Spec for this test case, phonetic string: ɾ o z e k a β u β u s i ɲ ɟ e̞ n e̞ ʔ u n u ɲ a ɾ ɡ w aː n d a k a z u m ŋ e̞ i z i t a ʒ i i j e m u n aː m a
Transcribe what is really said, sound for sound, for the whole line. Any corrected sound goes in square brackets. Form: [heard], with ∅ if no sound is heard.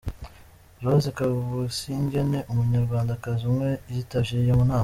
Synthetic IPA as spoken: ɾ o z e k a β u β u s i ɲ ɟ e̞ n e̞ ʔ u [m] u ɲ a ɾ ɡ w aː n d a k a z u m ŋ e̞ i z i t a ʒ i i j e m u n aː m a